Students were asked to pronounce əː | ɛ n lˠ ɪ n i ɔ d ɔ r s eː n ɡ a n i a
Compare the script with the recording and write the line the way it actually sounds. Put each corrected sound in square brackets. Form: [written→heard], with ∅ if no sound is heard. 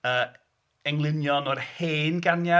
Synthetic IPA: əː | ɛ [n→ŋ] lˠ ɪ n [i→j] ɔ [d→n] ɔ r [s→h] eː n ɡ a n [i→j] a